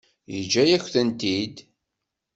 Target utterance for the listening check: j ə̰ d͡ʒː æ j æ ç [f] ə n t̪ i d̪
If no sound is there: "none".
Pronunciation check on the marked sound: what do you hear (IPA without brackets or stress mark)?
θ